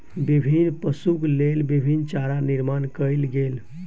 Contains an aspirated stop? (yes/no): no